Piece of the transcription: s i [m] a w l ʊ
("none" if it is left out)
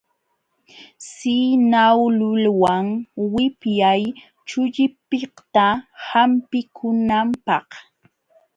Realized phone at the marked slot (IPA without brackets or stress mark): n